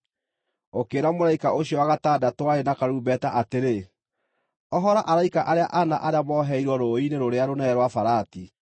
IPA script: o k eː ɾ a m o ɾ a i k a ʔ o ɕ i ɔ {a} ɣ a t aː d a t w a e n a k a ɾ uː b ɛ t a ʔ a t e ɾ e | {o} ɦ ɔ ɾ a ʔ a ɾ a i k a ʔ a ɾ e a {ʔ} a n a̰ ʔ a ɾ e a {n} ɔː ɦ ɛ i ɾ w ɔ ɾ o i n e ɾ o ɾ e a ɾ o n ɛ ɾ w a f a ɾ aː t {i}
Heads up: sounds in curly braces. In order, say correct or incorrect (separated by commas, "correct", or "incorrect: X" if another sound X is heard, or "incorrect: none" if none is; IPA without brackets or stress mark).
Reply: correct, incorrect: ɔ, correct, incorrect: m, correct